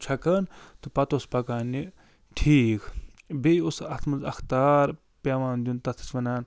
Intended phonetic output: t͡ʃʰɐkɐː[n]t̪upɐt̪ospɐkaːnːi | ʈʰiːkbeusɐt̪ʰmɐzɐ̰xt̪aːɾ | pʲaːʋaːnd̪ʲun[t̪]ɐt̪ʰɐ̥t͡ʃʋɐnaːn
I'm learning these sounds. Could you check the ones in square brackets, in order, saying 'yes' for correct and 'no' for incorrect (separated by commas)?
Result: yes, yes